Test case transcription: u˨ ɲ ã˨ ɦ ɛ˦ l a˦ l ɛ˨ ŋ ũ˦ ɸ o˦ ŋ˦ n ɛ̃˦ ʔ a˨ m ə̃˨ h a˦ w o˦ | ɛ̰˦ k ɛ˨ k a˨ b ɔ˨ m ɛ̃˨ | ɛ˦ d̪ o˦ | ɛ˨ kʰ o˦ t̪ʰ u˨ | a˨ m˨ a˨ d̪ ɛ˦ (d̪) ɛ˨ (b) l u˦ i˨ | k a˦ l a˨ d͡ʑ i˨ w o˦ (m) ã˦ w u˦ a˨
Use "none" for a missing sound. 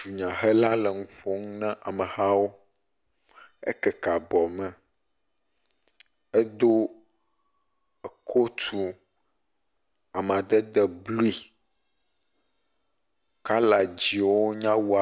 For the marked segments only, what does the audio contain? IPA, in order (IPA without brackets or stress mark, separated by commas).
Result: d̪, b, ɲ